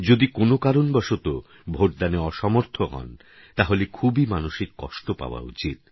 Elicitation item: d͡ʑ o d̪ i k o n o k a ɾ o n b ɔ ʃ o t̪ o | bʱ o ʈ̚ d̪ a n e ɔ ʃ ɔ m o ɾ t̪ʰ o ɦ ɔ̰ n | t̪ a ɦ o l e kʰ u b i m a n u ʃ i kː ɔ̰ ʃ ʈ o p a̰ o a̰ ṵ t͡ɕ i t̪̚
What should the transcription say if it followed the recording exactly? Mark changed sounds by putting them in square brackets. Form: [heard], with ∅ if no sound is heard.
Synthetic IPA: d͡ʑ o d̪ i k o n o k a ɾ o n b ɔ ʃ o t̪ o | bʱ o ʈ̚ d̪ a n e ɔ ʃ ɔ m o ɾ t̪ʰ o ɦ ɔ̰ n | t̪ a ɦ o l e kʰ u b i m a n u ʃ i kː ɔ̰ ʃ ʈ o p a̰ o a̰ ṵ t͡ɕ i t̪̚

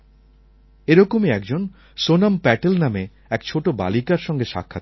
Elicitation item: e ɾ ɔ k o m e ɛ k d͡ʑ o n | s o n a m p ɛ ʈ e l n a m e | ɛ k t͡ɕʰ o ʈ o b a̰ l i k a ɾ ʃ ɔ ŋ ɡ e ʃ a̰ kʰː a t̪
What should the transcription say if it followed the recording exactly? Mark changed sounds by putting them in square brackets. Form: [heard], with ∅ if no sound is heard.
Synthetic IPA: e ɾ ɔ k o m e ɛ k d͡ʑ o n | s o n a m p ɛ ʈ e l n a m e | ɛ k t͡ɕʰ o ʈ o b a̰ l i k a ɾ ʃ ɔ ŋ ɡ e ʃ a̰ kʰː a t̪

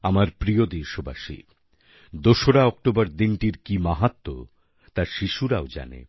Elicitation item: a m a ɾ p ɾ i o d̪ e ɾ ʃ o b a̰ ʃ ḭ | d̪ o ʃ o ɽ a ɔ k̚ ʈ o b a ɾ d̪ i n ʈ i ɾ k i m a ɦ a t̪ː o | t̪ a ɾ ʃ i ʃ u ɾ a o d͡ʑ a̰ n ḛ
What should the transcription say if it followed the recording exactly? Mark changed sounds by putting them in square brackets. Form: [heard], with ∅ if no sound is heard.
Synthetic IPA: a m a ɾ p ɾ i o d̪ e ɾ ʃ o b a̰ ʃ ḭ | d̪ o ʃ o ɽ a ɔ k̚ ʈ o b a ɾ d̪ i n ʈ i ɾ k i m a ɦ a t̪ː o | t̪ a ɾ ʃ i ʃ u ɾ a o d͡ʑ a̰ n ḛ

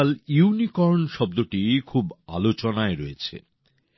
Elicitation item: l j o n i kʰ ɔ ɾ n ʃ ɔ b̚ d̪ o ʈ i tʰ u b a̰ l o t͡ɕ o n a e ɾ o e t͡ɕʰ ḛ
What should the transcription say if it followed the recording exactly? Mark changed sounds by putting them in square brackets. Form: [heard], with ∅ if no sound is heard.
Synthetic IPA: l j [u] n i [k] ɔ ɾ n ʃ ɔ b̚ d̪ o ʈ i [kʰ] u b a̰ l o t͡ɕ o n a e ɾ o e t͡ɕʰ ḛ

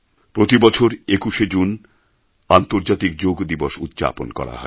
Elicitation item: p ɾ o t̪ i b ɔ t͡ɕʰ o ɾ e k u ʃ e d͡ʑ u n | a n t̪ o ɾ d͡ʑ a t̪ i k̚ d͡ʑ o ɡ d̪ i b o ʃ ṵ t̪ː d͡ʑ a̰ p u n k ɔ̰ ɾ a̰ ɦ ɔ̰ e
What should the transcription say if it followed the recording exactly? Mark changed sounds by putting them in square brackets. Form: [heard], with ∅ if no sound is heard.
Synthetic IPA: p ɾ o t̪ i b ɔ t͡ɕʰ o ɾ e k u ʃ e d͡ʑ u n | a n t̪ o ɾ d͡ʑ a t̪ i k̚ d͡ʑ o ɡ d̪ i b o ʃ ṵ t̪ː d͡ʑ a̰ p [o] n k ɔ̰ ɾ a̰ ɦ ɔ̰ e

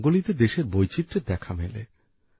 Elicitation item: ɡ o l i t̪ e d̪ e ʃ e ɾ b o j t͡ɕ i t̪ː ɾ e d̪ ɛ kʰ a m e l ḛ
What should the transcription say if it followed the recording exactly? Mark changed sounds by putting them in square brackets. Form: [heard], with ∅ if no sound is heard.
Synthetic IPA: ɡ o l i t̪ e d̪ e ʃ e ɾ b o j t͡ɕ i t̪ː ɾ e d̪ ɛ kʰ a m e l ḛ

